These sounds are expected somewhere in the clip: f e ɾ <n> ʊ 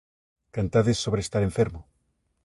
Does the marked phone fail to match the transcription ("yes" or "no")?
yes